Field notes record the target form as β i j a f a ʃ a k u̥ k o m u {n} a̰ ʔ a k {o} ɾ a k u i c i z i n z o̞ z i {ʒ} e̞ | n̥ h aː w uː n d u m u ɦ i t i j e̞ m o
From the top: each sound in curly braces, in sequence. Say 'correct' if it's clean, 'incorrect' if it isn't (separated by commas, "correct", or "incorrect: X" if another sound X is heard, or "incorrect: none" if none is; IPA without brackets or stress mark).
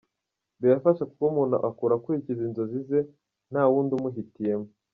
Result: correct, incorrect: u, incorrect: z